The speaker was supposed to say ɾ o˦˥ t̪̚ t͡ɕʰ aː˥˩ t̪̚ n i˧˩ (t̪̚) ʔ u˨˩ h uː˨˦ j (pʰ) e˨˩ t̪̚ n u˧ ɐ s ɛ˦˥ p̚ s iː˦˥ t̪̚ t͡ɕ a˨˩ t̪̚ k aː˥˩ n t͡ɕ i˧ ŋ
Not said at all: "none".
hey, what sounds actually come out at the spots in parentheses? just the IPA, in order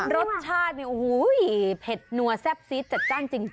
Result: none, pʰ

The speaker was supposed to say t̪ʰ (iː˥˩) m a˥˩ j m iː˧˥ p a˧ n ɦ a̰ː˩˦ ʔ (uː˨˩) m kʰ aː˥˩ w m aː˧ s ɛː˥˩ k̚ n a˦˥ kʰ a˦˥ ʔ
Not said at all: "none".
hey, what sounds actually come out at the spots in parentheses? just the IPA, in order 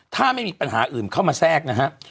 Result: aː˥˩, ɯː˨˩

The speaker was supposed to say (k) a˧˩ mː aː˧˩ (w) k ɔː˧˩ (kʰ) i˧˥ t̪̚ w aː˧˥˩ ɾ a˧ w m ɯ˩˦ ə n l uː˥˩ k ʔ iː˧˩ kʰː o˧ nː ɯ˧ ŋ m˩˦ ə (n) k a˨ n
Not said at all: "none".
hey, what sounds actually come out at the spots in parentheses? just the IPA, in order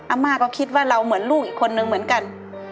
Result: ʔ, none, kʰ, n

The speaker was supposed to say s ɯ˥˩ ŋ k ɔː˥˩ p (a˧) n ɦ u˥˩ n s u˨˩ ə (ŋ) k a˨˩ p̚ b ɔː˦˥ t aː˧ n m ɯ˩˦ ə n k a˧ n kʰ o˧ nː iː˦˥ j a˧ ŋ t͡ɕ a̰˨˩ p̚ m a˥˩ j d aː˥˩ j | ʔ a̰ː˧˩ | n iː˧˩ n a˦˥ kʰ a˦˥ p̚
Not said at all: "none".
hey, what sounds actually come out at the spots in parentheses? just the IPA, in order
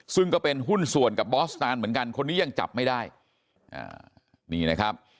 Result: e˧, n

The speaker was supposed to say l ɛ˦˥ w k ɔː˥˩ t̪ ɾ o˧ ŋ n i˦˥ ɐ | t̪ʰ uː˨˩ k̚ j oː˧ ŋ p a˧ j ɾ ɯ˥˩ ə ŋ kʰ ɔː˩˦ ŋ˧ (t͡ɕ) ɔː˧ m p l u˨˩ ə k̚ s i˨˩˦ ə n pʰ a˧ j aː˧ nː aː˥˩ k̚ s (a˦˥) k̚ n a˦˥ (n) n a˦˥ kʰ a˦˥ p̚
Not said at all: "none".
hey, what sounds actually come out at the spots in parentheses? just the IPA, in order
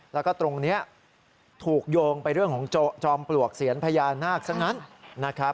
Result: t͡ɕ, a˦˥, n

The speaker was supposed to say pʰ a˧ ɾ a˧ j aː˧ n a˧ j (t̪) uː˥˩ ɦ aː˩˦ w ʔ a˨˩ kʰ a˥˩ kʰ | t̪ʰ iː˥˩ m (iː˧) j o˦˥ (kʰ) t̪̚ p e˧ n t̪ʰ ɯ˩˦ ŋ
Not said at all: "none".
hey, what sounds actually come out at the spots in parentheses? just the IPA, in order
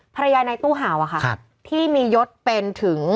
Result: t̪, iː˧, none

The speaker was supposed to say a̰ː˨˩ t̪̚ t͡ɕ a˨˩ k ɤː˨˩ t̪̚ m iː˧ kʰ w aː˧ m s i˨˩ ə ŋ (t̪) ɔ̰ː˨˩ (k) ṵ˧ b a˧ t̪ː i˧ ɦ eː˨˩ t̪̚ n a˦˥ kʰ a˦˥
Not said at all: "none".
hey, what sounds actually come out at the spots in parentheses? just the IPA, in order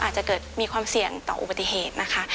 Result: t̪, ʔ

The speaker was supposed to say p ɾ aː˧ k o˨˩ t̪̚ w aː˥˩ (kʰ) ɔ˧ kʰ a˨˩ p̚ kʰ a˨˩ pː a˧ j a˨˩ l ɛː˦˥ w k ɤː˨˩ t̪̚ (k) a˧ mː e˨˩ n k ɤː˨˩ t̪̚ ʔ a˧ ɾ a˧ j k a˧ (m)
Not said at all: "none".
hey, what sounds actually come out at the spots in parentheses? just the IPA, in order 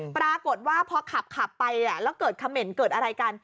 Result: pʰ, kʰ, n

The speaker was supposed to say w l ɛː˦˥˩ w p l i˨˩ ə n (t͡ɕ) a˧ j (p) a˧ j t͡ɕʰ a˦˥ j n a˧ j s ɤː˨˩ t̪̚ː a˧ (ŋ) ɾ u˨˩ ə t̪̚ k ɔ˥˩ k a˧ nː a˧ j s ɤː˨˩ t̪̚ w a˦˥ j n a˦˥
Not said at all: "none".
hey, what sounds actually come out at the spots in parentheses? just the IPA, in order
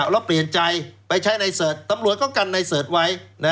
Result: t͡ɕ, p, m

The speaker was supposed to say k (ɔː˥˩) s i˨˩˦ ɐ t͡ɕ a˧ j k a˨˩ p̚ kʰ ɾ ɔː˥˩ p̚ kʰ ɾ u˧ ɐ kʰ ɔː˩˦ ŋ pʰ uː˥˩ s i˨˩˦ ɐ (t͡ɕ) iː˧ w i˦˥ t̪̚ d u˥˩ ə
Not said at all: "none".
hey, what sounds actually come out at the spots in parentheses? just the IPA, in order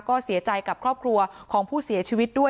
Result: ɔː˥˩, t͡ɕʰ

